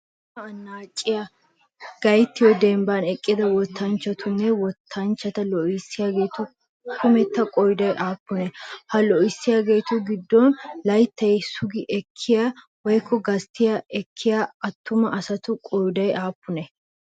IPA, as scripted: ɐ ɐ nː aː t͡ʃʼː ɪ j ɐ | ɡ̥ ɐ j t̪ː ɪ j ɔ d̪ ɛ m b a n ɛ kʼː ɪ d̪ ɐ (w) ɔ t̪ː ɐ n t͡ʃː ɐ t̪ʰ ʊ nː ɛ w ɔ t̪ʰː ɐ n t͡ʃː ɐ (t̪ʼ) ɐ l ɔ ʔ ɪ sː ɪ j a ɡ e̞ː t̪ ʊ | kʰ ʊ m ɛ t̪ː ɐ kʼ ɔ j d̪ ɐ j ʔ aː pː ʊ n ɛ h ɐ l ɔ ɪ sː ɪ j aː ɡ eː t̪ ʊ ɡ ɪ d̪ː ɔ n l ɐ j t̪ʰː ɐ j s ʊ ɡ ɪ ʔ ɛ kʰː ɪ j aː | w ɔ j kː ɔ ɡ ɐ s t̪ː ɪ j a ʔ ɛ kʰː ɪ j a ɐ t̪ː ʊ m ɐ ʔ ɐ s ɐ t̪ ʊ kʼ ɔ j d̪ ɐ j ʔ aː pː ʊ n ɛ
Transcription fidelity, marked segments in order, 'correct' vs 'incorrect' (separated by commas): correct, incorrect